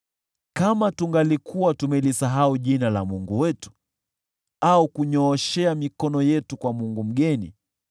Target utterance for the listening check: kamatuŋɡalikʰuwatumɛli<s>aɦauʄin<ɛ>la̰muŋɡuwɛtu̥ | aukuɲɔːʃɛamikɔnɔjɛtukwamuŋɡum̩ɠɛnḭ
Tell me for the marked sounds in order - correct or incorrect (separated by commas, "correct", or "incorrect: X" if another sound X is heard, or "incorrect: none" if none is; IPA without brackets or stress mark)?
correct, incorrect: a